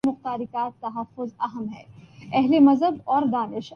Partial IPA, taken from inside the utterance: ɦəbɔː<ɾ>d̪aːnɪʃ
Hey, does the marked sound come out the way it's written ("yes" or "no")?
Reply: yes